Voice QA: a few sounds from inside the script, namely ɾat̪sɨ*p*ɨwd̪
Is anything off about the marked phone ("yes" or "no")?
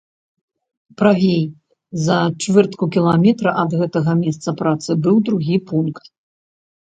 yes